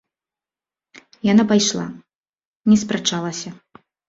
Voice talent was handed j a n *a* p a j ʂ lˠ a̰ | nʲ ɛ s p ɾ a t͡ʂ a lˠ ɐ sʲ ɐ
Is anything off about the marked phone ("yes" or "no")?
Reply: no